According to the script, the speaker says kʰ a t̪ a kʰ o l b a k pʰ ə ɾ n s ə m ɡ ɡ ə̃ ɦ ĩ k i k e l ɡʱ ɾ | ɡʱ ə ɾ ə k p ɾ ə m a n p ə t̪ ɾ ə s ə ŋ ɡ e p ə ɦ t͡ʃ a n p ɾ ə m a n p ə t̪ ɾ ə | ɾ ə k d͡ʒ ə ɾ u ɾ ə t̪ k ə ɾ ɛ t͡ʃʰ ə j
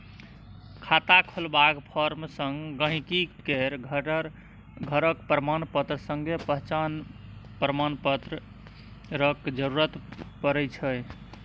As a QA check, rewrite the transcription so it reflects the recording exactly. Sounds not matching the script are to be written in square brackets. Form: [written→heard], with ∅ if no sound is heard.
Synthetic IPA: kʰ a t̪ a kʰ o l b a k pʰ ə ɾ [n→m] s ə [m→ŋ] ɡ ɡ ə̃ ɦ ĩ k i k e [l→ɾ] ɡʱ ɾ | ɡʱ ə ɾ ə k p ɾ ə m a n p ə t̪ ɾ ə s ə ŋ ɡ e p ə ɦ t͡ʃ a n p ɾ ə m a n p ə t̪ ɾ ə | ɾ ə k d͡ʒ ə ɾ u ɾ ə t̪ [k→p] ə ɾ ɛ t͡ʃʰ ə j